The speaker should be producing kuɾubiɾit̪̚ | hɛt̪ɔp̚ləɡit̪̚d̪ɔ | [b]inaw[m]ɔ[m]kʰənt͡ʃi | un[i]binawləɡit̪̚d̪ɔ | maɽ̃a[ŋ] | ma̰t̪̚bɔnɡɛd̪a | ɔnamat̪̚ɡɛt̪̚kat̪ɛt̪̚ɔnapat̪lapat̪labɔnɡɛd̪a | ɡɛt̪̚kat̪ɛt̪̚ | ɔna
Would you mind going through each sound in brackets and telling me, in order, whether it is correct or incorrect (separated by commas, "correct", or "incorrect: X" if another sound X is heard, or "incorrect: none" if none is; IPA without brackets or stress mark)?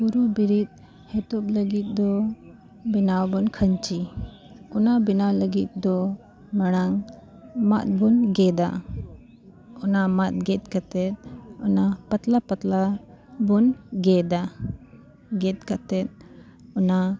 correct, incorrect: b, incorrect: n, incorrect: a, correct